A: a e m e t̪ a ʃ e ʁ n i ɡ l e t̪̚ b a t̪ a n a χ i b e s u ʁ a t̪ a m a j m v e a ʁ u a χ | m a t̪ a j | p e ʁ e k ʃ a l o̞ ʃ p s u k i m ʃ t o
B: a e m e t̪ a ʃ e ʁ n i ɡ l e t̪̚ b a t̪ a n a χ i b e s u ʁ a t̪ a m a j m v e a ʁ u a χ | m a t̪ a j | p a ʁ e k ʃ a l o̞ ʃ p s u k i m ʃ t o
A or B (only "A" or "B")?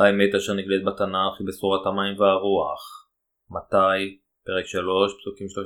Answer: A